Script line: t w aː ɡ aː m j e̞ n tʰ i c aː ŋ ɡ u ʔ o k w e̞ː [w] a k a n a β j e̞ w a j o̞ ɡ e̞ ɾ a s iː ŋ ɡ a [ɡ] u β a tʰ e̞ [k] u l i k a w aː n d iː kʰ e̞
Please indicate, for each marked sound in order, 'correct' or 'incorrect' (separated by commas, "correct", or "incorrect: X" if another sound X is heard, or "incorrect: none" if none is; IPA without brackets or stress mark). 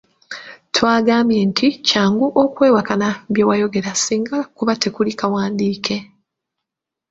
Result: correct, incorrect: k, correct